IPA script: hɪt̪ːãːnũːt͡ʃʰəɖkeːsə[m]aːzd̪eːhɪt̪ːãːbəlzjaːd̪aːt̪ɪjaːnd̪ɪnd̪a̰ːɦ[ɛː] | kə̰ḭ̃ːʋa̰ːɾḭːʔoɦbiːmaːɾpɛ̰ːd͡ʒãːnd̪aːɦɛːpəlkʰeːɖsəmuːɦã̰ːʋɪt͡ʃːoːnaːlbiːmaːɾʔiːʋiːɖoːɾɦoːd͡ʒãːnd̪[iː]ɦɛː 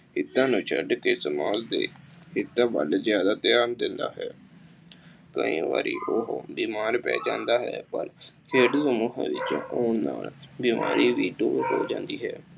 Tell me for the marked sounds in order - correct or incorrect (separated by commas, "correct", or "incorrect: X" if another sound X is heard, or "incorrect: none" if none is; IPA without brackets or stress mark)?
correct, correct, correct